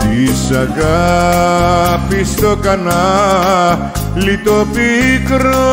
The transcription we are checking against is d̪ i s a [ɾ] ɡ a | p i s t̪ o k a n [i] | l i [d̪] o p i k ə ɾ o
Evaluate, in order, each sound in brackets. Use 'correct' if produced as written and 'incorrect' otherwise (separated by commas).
incorrect, incorrect, incorrect